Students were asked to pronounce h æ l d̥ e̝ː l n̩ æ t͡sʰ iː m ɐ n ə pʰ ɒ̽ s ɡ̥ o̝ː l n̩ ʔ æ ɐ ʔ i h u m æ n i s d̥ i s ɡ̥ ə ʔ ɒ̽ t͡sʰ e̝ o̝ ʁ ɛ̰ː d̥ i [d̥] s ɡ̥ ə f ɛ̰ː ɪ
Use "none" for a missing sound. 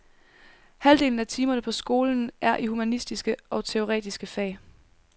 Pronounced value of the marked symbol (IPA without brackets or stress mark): none